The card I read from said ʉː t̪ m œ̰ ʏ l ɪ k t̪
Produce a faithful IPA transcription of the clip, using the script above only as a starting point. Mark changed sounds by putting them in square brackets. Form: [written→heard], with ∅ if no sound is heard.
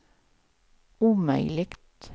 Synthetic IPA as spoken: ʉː [t̪→∅] m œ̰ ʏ l ɪ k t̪